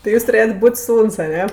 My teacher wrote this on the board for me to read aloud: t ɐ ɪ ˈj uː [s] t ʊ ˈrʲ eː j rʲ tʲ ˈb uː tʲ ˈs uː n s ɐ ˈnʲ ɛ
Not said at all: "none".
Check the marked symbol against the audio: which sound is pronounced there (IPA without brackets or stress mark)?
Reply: s